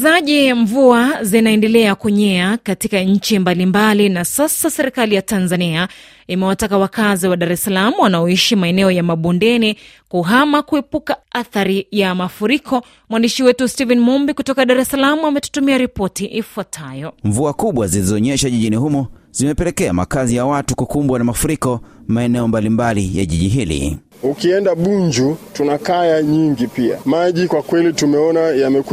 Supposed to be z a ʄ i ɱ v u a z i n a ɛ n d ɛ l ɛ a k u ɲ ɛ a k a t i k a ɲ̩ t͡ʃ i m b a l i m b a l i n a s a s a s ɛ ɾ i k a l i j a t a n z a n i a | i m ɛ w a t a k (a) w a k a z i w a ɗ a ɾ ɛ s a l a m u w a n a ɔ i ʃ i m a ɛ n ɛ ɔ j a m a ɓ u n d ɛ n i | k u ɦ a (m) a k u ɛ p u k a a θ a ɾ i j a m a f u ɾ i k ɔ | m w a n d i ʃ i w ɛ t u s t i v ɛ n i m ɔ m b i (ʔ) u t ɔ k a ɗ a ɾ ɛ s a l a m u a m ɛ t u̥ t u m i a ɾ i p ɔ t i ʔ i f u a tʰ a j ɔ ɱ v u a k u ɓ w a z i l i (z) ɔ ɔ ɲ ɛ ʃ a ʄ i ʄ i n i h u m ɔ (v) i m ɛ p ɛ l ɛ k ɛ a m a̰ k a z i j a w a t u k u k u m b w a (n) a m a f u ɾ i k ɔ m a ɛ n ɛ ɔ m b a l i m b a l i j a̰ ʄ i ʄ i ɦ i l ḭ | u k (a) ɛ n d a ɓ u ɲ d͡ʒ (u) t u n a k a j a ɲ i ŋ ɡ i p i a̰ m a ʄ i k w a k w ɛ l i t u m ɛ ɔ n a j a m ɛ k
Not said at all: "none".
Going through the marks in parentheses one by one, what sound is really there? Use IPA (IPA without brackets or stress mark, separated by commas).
a, m, k, z, z, n, i, u